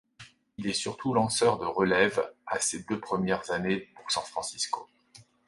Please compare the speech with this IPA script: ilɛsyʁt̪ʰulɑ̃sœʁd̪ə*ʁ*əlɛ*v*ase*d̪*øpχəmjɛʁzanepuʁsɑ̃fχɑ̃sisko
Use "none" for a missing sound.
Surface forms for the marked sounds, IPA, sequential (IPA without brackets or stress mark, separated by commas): ʁ, v, d̪